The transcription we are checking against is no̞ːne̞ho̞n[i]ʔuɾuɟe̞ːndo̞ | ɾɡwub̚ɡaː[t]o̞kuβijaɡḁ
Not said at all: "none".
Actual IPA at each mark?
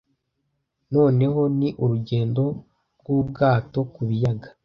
i, t

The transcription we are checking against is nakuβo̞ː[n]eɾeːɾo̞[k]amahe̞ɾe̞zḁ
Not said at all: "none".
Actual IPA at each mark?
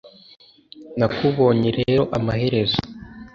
ɲ, ʔ

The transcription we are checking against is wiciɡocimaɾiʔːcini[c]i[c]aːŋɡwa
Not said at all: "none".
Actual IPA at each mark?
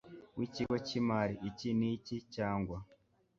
c, c

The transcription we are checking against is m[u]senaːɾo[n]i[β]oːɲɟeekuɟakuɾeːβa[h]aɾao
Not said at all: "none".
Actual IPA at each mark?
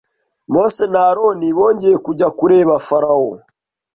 o, n, β, f

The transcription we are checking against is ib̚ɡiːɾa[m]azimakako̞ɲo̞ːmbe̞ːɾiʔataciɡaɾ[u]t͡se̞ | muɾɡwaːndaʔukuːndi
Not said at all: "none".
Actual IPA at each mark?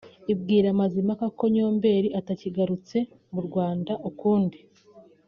m, u

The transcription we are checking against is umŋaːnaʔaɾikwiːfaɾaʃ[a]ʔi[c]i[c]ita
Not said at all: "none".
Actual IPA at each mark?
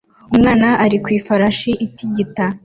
i, t, ɟ

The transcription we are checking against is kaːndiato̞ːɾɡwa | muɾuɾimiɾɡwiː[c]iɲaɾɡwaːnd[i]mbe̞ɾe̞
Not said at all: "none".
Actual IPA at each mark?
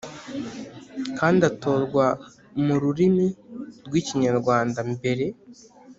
c, a

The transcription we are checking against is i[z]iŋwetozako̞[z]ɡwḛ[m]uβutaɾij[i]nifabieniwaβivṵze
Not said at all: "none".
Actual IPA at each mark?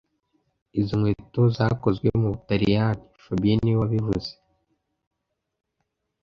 z, z, m, a

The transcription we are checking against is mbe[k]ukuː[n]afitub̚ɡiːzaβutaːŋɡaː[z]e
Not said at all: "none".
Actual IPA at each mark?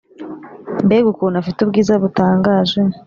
ɡ, n, ʒ

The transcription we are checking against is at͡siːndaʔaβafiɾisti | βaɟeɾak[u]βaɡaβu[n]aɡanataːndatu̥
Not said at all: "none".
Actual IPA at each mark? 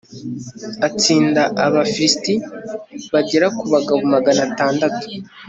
u, m

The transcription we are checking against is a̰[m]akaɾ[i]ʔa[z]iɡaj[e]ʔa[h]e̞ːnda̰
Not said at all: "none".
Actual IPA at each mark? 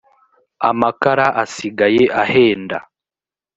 m, a, s, e, h

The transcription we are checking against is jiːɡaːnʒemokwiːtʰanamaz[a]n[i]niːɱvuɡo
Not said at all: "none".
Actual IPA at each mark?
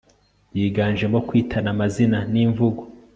i, a

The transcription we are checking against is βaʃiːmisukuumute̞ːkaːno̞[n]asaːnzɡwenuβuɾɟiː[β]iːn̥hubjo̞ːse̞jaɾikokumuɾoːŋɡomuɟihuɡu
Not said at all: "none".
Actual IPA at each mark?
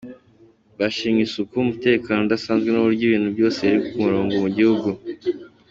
d, β

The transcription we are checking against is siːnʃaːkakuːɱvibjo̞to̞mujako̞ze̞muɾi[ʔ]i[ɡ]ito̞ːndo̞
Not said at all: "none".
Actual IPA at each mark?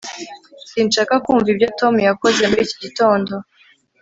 c, ɟ

